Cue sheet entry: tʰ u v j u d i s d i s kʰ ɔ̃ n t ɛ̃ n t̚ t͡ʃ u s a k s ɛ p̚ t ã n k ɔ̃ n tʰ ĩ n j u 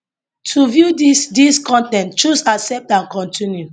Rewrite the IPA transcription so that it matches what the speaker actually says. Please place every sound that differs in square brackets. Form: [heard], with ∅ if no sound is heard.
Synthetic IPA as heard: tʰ u v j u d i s d i s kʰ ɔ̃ n t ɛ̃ n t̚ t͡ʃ u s a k s ɛ p̚ t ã n k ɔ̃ n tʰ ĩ n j u